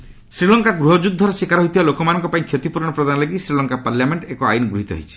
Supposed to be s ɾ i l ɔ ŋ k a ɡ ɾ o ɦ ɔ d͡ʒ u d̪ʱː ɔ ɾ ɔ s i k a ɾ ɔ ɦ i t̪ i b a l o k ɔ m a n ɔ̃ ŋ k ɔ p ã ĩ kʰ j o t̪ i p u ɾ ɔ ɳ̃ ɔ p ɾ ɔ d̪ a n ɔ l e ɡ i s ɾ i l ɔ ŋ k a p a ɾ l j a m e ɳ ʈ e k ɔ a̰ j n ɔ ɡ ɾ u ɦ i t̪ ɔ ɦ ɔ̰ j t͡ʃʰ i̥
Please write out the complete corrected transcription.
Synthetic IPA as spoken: s ɾ i l ɔ ŋ k a ɡ ɾ u ɦ ɔ d͡ʒ u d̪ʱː ɔ ɾ ɔ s i k a ɾ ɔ ɦ i t̪ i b a l o k ɔ m a n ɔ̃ ŋ k ɔ p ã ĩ kʰ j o t̪ i p u ɾ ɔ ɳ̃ ɔ p ɾ ɔ d̪ a n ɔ l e ɡ i s ɾ i l ɔ ŋ k a p a ɾ l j a m e ɳ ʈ e k ɔ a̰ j n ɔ ɡ ɾ u ɦ i t̪ ɔ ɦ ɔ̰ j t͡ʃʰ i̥